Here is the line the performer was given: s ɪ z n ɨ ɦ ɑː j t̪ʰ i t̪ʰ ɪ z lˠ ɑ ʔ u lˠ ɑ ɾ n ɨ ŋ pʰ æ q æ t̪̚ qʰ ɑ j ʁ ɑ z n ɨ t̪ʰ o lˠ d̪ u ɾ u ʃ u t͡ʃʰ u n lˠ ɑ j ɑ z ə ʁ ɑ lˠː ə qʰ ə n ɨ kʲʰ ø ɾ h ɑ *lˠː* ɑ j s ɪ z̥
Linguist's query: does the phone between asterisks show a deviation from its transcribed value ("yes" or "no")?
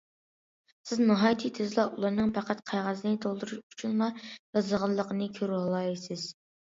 yes